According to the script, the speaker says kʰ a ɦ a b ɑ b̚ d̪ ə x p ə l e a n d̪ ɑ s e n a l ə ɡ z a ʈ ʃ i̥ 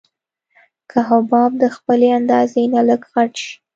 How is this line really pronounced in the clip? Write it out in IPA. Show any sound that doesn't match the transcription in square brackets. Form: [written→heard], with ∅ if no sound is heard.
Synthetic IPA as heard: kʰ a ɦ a b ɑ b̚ d̪ ə x p ə l e a n d̪ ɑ [s→z] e n a l ə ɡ [z→ɣ] a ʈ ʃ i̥